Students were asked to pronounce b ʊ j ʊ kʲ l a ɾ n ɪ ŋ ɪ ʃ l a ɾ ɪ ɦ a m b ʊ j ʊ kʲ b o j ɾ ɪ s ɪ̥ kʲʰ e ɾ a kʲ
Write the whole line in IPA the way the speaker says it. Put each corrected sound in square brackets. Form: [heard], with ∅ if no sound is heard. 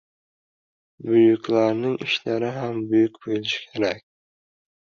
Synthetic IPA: b ʊ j ʊ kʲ l a ɾ n ɪ ŋ ɪ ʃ l a ɾ ɪ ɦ a m b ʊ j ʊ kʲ b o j [l] ɪ [ʃ] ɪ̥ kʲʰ e ɾ a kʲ